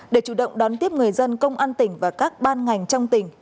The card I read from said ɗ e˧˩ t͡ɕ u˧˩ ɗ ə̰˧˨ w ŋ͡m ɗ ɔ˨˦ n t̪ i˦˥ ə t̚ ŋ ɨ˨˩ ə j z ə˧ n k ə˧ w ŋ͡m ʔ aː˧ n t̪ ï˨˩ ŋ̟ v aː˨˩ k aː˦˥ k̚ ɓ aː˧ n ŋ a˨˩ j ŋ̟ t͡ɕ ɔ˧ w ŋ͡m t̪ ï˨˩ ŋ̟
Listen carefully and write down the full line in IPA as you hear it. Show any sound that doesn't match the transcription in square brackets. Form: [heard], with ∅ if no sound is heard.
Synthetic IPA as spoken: ɗ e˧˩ t͡ɕ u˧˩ ɗ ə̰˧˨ w ŋ͡m ɗ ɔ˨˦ n t̪ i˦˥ ə [p̚] ŋ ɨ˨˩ ə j z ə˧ n k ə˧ w ŋ͡m ʔ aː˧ n t̪ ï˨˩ ŋ̟ v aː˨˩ k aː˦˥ k̚ ɓ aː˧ n ŋ a˨˩ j ŋ̟ t͡ɕ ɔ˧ w ŋ͡m t̪ ï˨˩ ŋ̟